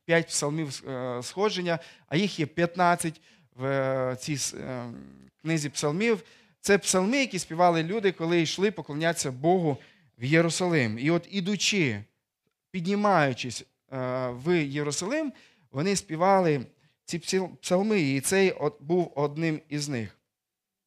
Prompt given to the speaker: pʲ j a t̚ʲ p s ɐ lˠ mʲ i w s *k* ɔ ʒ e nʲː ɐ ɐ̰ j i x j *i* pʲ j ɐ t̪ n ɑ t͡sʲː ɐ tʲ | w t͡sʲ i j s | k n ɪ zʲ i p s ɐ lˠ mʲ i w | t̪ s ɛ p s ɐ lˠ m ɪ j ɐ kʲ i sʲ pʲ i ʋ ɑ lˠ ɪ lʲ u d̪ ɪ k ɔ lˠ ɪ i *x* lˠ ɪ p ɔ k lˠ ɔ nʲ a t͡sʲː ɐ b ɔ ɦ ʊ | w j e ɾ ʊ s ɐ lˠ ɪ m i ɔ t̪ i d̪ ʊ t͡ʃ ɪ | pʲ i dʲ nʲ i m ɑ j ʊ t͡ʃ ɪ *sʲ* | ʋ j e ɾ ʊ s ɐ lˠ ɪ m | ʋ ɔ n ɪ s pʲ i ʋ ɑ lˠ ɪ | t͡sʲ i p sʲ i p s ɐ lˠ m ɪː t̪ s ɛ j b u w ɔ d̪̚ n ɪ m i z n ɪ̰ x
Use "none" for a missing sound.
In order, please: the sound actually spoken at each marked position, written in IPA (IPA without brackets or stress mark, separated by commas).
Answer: x, ɛ, ʃ, sʲ